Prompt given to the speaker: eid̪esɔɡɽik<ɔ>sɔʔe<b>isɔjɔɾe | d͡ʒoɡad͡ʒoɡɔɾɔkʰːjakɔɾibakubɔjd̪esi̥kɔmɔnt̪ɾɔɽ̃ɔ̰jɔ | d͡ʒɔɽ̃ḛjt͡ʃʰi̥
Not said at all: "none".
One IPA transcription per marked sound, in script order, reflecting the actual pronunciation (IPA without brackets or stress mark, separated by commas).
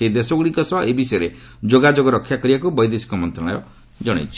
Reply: ɔ, b